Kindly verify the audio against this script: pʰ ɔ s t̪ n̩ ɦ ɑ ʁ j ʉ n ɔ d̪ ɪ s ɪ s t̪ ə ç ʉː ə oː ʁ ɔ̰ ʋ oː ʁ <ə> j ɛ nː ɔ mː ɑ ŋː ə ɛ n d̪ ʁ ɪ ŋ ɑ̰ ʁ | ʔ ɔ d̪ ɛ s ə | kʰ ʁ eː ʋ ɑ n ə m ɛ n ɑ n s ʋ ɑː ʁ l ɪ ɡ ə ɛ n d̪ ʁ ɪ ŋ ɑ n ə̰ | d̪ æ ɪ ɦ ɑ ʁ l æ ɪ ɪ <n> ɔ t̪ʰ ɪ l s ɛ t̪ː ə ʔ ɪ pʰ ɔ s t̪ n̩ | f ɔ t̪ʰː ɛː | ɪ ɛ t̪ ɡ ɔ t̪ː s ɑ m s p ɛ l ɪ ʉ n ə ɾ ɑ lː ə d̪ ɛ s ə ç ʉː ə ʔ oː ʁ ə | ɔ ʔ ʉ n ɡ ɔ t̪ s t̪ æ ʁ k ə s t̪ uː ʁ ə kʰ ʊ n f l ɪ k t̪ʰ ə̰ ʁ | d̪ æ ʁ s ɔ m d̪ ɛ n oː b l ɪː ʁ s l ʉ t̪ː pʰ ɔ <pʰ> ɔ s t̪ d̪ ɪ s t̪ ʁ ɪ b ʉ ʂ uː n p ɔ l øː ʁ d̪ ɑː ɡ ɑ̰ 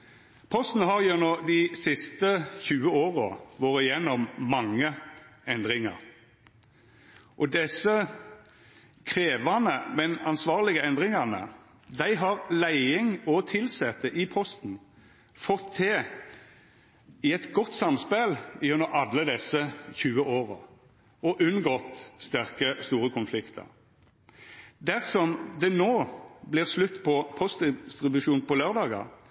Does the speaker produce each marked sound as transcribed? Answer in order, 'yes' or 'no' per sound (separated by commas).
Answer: yes, no, yes